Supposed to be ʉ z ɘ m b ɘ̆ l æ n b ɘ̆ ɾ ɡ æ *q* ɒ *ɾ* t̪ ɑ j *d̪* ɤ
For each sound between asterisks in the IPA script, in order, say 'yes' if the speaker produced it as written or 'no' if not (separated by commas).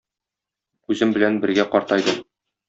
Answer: yes, yes, yes